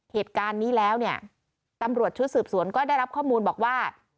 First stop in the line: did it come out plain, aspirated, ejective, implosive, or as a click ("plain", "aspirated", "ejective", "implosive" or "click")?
plain